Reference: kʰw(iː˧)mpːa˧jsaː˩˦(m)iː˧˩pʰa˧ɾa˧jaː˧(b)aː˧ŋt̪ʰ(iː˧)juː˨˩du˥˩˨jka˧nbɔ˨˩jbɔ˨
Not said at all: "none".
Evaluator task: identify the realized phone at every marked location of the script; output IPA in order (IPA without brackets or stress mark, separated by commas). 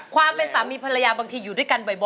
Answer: aː˧, m, b, iː˧